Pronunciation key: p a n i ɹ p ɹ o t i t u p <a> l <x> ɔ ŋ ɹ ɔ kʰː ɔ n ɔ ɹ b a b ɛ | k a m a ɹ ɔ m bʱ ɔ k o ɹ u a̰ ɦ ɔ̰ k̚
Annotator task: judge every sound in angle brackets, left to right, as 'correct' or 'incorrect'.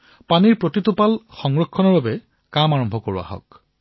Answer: correct, correct

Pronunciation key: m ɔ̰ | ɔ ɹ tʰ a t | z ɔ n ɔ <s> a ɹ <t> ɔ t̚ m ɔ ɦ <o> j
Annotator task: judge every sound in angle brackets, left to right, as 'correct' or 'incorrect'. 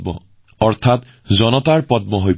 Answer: incorrect, incorrect, correct

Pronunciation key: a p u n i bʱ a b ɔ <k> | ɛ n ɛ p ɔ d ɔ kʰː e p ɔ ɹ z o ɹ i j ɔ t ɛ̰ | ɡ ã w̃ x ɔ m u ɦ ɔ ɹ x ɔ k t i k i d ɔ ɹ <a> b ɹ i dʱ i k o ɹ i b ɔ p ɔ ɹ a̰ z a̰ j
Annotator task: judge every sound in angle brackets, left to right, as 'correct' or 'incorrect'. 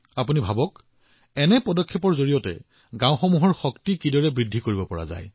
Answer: correct, incorrect

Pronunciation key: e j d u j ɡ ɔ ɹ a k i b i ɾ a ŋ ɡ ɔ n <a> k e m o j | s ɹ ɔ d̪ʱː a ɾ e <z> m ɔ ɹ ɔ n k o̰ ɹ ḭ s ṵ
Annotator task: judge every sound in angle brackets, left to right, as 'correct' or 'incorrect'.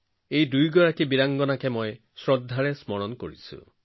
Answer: correct, incorrect

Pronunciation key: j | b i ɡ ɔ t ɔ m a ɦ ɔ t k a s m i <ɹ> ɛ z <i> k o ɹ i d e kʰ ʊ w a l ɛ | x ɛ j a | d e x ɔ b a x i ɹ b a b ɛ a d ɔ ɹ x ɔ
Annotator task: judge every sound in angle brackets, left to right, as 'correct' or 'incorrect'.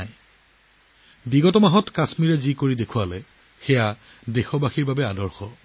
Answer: correct, correct

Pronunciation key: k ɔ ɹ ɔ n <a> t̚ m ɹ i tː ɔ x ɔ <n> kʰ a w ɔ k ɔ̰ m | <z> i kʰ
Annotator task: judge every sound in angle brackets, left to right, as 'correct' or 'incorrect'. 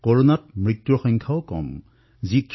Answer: correct, incorrect, correct

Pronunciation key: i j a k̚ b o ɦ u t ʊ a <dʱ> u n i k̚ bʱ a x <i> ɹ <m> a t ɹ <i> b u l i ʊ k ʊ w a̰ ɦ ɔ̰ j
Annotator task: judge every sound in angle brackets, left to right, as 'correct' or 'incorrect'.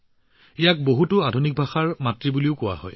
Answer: correct, incorrect, correct, correct

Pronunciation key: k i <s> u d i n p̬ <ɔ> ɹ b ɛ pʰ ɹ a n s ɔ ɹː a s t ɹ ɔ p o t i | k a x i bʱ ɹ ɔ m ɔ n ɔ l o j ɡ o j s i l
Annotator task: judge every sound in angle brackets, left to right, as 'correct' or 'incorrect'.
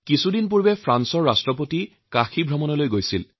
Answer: correct, incorrect

